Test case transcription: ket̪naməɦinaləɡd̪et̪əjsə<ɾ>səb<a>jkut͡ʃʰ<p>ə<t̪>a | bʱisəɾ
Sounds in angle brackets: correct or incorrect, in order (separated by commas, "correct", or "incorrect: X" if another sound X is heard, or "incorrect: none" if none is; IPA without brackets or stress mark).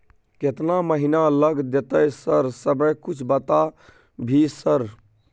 correct, incorrect: ə, incorrect: b, correct